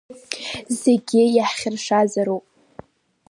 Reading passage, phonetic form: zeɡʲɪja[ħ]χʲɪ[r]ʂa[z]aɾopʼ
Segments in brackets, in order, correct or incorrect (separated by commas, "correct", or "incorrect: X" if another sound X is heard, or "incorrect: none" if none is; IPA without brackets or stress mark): correct, correct, correct